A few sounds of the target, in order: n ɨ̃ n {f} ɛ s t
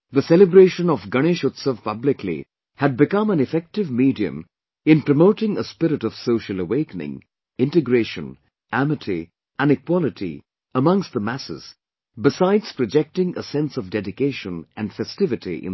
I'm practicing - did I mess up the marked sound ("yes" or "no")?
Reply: no